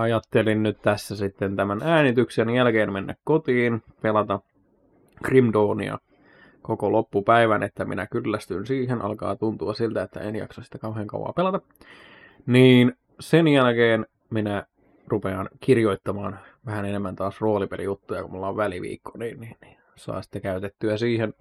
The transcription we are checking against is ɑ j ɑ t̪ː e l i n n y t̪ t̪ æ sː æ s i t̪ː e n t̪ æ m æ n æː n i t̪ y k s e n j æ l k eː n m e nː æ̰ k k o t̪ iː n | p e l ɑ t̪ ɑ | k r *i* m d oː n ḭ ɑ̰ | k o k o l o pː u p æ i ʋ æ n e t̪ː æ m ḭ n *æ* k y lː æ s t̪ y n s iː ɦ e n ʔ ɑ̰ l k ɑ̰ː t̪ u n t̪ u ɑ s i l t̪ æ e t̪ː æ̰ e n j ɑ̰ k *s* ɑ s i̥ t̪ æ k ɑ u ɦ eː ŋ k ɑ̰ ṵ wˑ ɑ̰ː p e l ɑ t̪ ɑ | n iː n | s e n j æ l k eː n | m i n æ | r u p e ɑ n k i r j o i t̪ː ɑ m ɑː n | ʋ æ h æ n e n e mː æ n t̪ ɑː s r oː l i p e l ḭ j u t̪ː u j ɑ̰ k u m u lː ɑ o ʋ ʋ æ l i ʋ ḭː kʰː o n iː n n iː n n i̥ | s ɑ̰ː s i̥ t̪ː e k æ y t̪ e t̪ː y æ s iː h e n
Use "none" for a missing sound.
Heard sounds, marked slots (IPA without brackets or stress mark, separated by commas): i, æ, s